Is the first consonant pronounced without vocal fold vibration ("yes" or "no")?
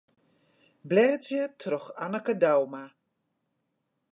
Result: no